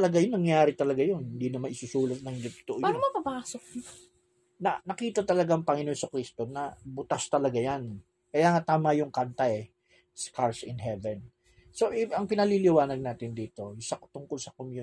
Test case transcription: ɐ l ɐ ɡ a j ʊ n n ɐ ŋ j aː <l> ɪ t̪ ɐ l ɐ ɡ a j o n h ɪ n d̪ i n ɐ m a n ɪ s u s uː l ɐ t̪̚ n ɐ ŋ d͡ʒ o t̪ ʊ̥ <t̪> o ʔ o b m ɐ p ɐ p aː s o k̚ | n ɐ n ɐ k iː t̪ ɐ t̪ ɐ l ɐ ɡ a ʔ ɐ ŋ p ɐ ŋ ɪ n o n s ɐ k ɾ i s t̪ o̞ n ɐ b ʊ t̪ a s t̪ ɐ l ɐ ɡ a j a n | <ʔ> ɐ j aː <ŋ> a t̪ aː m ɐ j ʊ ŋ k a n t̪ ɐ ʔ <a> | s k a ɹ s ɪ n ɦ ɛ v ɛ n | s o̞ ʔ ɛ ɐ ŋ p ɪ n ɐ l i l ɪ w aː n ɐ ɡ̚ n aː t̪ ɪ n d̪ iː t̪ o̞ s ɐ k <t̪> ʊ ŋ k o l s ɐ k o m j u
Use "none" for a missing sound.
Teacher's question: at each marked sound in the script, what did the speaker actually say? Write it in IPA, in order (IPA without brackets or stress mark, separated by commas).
ɾ, t̪, k, ŋ, ɛ, t̪